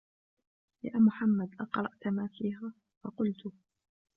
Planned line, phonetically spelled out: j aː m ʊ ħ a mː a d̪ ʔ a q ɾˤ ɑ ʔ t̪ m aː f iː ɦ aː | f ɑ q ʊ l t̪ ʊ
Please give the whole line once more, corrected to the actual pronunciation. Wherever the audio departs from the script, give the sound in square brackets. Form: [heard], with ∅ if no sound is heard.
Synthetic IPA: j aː m ʊ ħ a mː a d̪ ʔ [ɑ] q ɾˤ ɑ ʔ t̪ m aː f iː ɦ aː | f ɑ q ʊ l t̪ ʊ